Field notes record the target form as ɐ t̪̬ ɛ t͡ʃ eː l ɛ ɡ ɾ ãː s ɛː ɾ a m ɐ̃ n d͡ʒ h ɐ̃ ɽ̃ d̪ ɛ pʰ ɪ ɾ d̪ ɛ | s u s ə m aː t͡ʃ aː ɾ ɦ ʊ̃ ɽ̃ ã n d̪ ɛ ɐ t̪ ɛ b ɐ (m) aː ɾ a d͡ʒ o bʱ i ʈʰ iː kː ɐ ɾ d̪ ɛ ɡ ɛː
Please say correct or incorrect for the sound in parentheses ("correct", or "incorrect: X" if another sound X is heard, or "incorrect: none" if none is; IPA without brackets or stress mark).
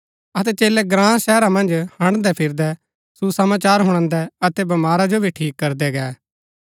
correct